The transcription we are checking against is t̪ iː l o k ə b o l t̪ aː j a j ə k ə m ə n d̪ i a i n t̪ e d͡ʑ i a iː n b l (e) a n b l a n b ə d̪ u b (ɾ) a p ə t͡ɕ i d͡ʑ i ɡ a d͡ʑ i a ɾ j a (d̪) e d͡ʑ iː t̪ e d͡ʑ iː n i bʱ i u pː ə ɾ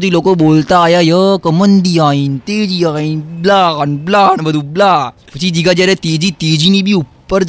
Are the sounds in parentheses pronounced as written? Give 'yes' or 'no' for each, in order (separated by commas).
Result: no, no, no